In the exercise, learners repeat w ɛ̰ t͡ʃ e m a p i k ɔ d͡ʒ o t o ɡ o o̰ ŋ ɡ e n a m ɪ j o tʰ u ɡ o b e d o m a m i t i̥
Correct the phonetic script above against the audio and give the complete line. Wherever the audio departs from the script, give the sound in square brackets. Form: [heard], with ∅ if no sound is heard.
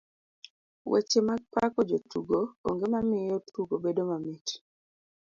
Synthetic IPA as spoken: w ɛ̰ t͡ʃ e m a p [a] k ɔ d͡ʒ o t [u] ɡ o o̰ ŋ ɡ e [m] a m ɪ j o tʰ u ɡ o b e d o m a m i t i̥